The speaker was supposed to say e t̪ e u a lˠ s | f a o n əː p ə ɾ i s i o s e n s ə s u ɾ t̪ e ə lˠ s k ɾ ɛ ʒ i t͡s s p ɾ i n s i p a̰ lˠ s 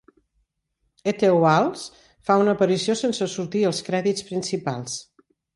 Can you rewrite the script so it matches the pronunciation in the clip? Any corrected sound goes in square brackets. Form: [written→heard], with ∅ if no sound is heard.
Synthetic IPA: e t̪ e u a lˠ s | f a [o→u] n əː p ə ɾ i s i o s e n s ə s u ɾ t̪ [e→i] ə lˠ s k ɾ ɛ [ʒ→ð] i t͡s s p ɾ i n s i p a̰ lˠ s

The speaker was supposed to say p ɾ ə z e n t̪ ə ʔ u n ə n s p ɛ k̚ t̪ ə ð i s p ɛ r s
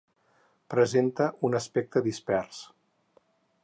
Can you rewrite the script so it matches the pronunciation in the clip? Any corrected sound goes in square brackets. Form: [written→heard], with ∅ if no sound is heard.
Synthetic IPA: p ɾ ə z e n t̪ ə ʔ u n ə [n→∅] s p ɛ k̚ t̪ ə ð i s p ɛ r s

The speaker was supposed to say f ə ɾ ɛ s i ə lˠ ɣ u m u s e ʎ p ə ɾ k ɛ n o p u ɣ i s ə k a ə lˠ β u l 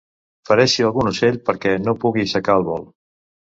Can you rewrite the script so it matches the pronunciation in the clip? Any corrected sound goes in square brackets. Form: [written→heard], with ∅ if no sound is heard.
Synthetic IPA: f ə ɾ ɛ [s→ʃ] i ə lˠ ɣ u [m→n] u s e ʎ p ə ɾ k ɛ n o p u ɣ i s ə k a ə lˠ β [u→ɔ] l

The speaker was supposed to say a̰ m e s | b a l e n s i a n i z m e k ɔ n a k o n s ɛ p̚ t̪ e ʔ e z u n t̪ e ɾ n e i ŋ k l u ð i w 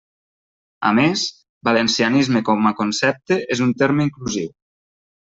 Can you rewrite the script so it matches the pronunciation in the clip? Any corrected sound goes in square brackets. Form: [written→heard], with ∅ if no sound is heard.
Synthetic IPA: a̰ m e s | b a l e n s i a n i z m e k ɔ [n→m] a k o n s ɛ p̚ t̪ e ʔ e z u n t̪ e ɾ [n→m] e i ŋ k l u [ð→z] i w

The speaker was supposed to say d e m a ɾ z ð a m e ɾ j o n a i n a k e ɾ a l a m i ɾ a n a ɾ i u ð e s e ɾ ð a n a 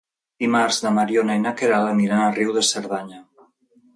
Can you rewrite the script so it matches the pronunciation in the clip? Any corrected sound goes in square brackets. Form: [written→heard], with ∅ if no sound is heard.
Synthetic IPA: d [e→i] m a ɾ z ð a m [e→a] ɾ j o n a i n a k e ɾ a l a m i ɾ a n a [ɾ→r] i [u→w] ð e s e ɾ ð a [n→ɲ] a

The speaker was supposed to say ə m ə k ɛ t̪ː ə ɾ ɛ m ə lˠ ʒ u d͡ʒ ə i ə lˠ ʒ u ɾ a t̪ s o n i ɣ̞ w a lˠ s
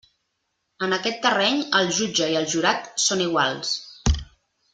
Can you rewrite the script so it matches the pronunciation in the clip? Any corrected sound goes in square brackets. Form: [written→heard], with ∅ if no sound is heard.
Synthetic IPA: ə [m→n] ə k ɛ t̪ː ə [ɾ→r] ɛ [m→ɲ] ə lˠ ʒ u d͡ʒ ə i ə lˠ ʒ u ɾ a t̪ s o n i ɣ̞ w a lˠ s

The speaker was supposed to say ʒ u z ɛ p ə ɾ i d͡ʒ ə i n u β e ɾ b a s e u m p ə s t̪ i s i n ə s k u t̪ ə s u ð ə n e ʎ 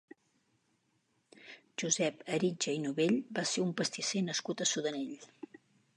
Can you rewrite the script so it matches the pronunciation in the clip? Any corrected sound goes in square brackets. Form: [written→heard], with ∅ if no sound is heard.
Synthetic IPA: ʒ u z ɛ p ə ɾ i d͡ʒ ə i n u β e [ɾ→ʎ] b a s e u m p ə s t̪ i s [i→e] n ə s k u t̪ ə s u ð ə n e ʎ

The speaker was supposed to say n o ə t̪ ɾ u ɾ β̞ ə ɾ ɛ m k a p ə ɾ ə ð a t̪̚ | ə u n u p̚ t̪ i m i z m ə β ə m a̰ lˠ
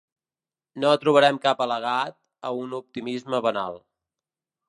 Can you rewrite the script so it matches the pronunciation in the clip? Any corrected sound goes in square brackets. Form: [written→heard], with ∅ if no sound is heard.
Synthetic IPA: n o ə t̪ ɾ u [ɾ→∅] β̞ ə ɾ ɛ m k a p ə [ɾ→l] ə [ð→ɣ] a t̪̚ | ə u n u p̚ t̪ i m i z m ə β ə [m→n] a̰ lˠ

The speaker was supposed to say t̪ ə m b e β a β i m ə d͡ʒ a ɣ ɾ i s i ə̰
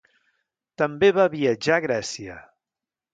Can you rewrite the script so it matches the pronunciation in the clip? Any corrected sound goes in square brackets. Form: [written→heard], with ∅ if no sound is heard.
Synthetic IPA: t̪ ə m b e β a β i [m→∅] ə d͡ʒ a ɣ ɾ [i→ɛ] s i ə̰

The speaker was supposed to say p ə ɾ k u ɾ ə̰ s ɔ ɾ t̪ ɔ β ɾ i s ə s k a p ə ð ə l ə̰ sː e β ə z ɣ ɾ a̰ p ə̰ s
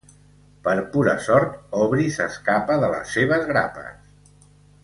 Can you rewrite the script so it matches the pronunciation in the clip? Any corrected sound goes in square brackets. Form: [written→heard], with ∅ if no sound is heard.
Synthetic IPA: p ə ɾ [k→p] u ɾ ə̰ s ɔ ɾ t̪ ɔ β ɾ i s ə s k a p ə ð ə l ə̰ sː e β ə z ɣ ɾ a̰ p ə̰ s

